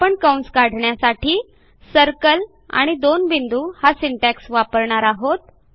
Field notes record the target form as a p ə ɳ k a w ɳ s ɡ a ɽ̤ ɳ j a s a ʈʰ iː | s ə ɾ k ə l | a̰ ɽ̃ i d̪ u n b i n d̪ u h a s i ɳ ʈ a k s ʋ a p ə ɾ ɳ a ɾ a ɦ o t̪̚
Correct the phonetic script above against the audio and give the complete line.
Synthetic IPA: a p ə ɳ k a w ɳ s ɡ a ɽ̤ ɳ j a s a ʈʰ iː | s ə ɾ k ə l | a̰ ɽ̃ i d̪ o n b i n d̪ u h a s i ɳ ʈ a k s ʋ a p ə ɾ ɳ a ɾ a ɦ o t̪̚

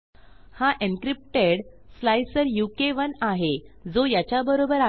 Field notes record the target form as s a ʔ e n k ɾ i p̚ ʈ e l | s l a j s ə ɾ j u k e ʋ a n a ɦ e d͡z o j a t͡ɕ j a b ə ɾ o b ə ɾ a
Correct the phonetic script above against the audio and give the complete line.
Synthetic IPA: h a ʔ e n k ɾ i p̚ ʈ e ɽ | s l a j s ə ɾ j u k e ʋ ə n a ɦ e d͡z o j a t͡ɕ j a b ə ɾ o b ə ɾ a

